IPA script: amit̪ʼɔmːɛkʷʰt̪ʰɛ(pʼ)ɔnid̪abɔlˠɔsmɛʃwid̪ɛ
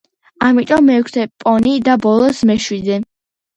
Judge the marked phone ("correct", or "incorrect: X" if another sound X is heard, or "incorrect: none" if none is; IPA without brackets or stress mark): correct